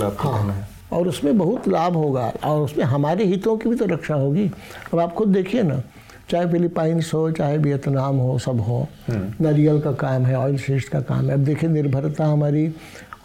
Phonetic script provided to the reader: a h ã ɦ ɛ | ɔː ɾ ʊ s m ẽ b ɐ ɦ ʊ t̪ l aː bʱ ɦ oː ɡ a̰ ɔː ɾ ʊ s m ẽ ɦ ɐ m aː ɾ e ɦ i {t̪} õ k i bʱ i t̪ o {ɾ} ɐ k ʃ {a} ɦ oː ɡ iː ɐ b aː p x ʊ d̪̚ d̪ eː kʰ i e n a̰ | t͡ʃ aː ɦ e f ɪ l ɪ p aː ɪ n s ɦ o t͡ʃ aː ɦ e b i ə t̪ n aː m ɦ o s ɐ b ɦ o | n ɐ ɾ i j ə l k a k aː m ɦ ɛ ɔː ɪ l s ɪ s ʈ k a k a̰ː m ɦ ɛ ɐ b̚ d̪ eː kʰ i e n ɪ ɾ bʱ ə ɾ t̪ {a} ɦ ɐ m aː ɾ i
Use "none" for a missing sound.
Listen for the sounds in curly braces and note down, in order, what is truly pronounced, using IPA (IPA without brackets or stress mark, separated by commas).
t̪, ɾ, a, a